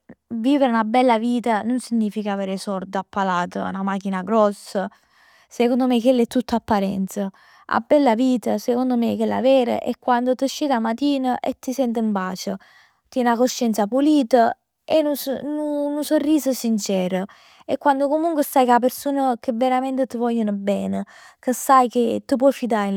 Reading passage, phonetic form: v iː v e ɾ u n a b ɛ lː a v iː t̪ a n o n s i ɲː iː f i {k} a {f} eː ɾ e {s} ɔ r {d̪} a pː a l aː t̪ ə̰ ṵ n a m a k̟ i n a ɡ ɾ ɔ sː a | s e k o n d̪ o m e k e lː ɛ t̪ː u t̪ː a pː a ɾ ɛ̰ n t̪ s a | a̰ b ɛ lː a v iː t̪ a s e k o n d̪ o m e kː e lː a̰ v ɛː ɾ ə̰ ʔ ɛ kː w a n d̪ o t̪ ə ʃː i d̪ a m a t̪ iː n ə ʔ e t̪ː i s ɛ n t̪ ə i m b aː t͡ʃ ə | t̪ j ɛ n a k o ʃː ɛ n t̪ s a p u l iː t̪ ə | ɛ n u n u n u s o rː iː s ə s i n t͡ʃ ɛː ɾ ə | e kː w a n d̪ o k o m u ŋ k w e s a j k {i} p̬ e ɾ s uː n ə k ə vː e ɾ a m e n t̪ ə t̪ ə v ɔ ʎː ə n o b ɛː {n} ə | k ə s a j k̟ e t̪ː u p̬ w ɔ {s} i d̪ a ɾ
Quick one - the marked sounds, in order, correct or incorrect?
correct, incorrect, correct, correct, incorrect, correct, incorrect

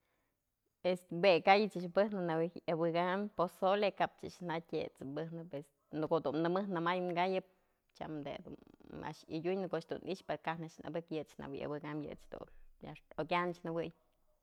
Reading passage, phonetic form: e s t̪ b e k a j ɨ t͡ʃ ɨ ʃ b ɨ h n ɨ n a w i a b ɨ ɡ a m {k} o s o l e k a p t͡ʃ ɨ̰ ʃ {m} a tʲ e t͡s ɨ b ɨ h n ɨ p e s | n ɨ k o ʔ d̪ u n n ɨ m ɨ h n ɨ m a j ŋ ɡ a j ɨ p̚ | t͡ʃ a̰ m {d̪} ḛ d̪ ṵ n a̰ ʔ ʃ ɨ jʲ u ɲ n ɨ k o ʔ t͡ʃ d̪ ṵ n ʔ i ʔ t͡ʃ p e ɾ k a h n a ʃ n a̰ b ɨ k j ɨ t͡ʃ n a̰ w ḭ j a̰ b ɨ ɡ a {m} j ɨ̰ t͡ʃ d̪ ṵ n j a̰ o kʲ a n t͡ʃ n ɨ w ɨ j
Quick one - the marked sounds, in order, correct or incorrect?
incorrect, incorrect, correct, correct

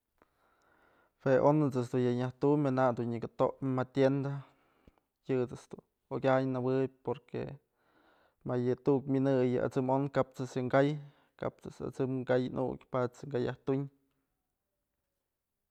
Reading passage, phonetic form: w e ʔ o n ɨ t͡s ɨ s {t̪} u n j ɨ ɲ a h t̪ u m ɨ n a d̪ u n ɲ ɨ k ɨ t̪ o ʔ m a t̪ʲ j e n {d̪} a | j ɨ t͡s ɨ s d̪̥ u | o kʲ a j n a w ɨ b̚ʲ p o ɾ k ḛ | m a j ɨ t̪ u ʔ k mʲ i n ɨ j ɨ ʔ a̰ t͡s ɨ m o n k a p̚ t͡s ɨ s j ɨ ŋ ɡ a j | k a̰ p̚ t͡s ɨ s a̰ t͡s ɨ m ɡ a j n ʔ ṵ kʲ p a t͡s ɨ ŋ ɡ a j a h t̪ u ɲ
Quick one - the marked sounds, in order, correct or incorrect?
incorrect, correct

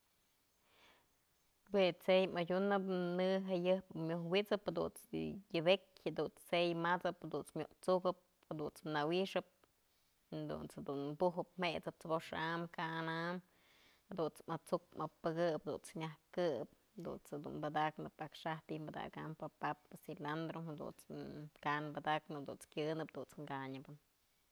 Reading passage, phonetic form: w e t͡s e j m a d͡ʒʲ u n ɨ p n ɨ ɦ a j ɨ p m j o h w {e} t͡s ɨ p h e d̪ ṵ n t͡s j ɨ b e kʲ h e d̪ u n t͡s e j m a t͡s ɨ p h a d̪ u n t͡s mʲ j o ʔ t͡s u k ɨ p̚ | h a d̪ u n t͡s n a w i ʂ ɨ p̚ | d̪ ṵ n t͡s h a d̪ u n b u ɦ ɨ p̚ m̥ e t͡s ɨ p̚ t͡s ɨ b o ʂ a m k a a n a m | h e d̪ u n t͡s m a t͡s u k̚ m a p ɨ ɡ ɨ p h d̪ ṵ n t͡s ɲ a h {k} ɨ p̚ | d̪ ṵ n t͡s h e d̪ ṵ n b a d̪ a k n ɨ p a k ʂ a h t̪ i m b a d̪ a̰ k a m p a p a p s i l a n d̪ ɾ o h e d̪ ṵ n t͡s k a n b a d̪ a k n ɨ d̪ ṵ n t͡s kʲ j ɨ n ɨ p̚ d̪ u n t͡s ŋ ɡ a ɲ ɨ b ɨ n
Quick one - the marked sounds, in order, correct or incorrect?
incorrect, correct

